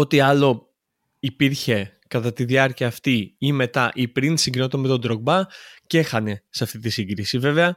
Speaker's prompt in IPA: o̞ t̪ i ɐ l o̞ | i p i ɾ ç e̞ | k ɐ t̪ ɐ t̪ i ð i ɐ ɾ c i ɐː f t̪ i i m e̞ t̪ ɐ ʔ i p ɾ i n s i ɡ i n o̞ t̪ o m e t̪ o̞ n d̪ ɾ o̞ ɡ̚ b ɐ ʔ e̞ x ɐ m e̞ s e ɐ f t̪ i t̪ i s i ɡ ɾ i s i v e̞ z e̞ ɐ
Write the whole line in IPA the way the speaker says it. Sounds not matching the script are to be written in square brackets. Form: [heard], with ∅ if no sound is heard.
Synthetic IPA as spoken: o̞ t̪ i ɐ l o̞ | i p i ɾ ç e̞ | k ɐ t̪ ɐ t̪ i ð i ɐ ɾ c i ɐː f t̪ i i m e̞ t̪ ɐ ʔ i p ɾ i n s i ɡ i n o̞ t̪ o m e t̪ o̞ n d̪ ɾ o̞ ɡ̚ b ɐ [c] e̞ x ɐ [n] e̞ s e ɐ f t̪ i t̪ i s i ɡ ɾ i s i v e̞ [v] e̞ ɐ